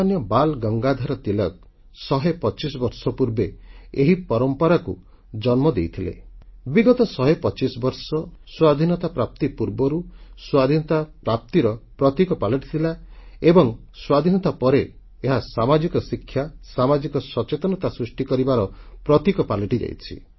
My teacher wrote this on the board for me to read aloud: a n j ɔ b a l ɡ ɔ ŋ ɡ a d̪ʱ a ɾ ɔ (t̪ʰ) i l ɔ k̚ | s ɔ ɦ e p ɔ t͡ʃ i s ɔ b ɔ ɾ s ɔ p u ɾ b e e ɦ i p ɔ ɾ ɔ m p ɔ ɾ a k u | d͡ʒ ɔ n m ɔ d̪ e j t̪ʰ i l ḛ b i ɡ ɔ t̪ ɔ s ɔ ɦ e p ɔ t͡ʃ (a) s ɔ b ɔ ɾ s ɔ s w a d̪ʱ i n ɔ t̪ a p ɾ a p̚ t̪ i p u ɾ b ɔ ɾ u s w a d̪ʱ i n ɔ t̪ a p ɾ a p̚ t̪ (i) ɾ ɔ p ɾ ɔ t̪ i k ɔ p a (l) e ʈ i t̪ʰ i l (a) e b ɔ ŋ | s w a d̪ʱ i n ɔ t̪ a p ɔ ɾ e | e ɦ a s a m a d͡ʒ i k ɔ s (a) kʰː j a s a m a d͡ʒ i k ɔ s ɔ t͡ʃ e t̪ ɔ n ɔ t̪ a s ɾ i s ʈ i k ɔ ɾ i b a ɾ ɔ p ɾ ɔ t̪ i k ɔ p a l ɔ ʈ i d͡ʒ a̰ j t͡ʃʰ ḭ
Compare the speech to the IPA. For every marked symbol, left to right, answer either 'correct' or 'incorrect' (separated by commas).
incorrect, incorrect, correct, correct, correct, incorrect